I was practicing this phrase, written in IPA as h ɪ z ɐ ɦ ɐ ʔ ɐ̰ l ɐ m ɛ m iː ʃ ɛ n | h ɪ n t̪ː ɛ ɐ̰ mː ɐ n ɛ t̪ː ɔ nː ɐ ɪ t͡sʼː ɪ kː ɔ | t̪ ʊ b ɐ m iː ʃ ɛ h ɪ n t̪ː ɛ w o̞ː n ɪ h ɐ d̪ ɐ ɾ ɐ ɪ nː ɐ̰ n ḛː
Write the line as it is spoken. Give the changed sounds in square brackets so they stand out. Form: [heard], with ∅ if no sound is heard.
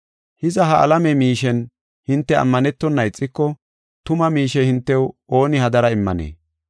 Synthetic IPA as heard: h ɪ z ɐ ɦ ɐ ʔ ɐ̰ l ɐ m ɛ m iː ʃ ɛ n | h ɪ n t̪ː ɛ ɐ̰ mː ɐ n ɛ t̪ː ɔ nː ɐ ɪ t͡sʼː ɪ kː ɔ | t̪ ʊ [m] ɐ m iː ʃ ɛ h ɪ n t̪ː ɛ w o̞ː n ɪ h ɐ d̪ ɐ ɾ ɐ ɪ [mː] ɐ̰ n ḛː

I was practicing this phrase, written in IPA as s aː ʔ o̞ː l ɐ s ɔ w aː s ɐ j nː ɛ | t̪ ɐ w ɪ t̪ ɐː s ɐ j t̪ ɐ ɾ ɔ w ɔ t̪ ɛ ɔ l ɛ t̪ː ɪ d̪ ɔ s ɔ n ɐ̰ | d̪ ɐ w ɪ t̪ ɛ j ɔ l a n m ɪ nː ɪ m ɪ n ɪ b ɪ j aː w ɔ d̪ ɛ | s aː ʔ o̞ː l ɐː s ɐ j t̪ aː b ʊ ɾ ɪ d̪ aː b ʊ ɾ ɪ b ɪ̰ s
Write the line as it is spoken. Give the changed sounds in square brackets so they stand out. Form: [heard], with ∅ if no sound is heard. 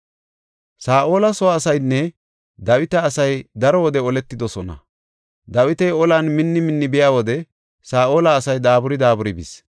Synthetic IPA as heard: s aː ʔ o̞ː l ɐ s ɔ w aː s ɐ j nː ɛ | [d̪] ɐ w ɪ t̪ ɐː s ɐ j [d̪] ɐ ɾ ɔ w ɔ [d̪] ɛ ɔ l ɛ t̪ː ɪ d̪ ɔ s ɔ n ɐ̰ | d̪ ɐ w ɪ t̪ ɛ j ɔ l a n m ɪ nː ɪ m ɪ [nː] ɪ b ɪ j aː w ɔ d̪ ɛ | s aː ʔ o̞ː l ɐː s ɐ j [d̪] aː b ʊ ɾ ɪ d̪ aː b ʊ ɾ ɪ b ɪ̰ s

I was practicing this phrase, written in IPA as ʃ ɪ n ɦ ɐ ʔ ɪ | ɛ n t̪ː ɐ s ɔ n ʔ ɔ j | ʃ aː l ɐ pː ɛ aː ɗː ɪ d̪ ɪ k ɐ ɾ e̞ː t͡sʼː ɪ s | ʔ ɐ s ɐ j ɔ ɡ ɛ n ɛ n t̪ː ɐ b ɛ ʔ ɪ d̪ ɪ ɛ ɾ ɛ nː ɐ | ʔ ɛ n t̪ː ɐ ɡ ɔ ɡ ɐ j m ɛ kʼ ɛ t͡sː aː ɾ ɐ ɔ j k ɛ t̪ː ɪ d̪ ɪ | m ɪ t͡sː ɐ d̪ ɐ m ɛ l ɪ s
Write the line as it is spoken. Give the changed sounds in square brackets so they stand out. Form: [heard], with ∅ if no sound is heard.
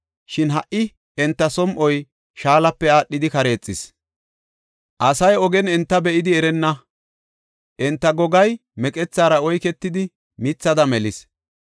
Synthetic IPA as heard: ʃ ɪ n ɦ ɐ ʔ ɪ | ɛ n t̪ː ɐ s ɔ [m] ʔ ɔ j | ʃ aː l ɐ pː ɛ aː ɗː ɪ d̪ ɪ k ɐ ɾ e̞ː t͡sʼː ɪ s | ʔ ɐ s ɐ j ɔ ɡ ɛ n ɛ n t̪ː ɐ b ɛ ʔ ɪ d̪ ɪ ɛ ɾ ɛ nː ɐ | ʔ ɛ n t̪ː ɐ ɡ ɔ ɡ ɐ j m ɛ kʼ ɛ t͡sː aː ɾ ɐ ɔ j k ɛ t̪ː ɪ d̪ ɪ | m ɪ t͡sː ɐ d̪ ɐ m ɛ l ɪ s

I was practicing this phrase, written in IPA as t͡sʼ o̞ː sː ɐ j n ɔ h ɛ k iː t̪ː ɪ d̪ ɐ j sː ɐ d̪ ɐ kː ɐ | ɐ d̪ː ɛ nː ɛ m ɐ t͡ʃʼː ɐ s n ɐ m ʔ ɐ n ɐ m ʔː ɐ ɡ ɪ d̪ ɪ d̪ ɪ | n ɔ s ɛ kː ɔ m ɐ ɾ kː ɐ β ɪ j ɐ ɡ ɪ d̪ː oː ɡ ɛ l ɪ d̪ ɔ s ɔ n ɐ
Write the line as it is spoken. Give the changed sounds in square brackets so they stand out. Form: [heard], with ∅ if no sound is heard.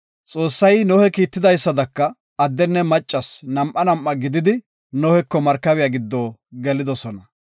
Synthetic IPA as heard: t͡sʼ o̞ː sː ɐ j n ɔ h ɛ k iː t̪ː ɪ d̪ ɐ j sː ɐ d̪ ɐ kː ɐ | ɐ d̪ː ɛ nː ɛ m ɐ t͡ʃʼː ɐ s n ɐ m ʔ ɐ n ɐ m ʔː ɐ ɡ ɪ d̪ ɪ d̪ ɪ | n ɔ [h] ɛ kː ɔ m ɐ ɾ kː ɐ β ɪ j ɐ ɡ ɪ d̪ː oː ɡ ɛ l ɪ d̪ ɔ s ɔ n ɐ

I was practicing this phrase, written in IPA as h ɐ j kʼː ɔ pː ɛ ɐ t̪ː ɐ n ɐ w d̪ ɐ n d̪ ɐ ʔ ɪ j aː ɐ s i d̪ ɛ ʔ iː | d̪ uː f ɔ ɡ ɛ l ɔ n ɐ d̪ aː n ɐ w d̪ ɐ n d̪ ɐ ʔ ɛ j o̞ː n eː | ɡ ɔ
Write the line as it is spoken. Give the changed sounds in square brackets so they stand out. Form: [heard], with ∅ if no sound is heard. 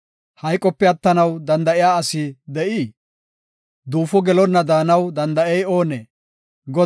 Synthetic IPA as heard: h ɐ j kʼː ɔ pː ɛ ɐ t̪ː ɐ n ɐ w d̪ ɐ n d̪ ɐ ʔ ɪ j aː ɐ s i d̪ ɛ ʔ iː | d̪ uː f ɔ ɡ ɛ l ɔ [nː] ɐ d̪ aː n ɐ w d̪ ɐ n d̪ ɐ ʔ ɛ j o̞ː n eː | ɡ ɔ

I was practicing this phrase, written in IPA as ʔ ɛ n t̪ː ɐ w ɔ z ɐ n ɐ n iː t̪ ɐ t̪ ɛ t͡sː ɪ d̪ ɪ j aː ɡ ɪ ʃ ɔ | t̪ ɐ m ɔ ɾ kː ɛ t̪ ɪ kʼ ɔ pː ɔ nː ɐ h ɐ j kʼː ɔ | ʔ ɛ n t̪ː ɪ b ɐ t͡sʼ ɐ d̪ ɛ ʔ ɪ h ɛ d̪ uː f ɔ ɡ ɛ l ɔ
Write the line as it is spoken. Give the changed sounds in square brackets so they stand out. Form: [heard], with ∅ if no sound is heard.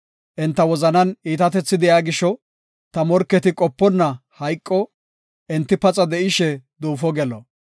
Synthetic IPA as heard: ʔ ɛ n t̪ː ɐ w ɔ z ɐ n ɐ n iː t̪ ɐ t̪ ɛ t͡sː ɪ d̪ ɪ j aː ɡ ɪ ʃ ɔ | t̪ ɐ m ɔ ɾ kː ɛ t̪ ɪ kʼ ɔ pː ɔ nː ɐ h ɐ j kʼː ɔ | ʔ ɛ n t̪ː ɪ [p] ɐ t͡sʼ ɐ d̪ ɛ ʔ ɪ [ʃ] ɛ d̪ uː f ɔ ɡ ɛ l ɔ

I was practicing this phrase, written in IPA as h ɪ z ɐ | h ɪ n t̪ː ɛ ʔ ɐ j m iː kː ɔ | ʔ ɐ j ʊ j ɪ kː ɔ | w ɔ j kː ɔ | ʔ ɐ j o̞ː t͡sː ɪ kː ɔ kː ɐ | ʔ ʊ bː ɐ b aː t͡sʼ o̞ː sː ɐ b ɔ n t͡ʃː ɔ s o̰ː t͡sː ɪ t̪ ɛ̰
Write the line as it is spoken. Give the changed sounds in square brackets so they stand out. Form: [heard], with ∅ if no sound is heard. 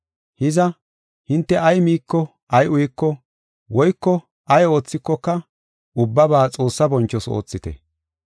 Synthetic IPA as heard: h ɪ z ɐ | h ɪ n t̪ː ɛ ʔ ɐ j m iː kː ɔ | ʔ ɐ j ʊ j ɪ kː ɔ | w ɔ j kː ɔ | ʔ ɐ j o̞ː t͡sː ɪ kː ɔ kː ɐ | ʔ ʊ bː ɐ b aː t͡sʼ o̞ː sː ɐ b ɔ n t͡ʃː ɔ s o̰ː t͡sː ɪ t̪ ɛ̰

